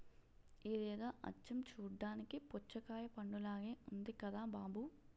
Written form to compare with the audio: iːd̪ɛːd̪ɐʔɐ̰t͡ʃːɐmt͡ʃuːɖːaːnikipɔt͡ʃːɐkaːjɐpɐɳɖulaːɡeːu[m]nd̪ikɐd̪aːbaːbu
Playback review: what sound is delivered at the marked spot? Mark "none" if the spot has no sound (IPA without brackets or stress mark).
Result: none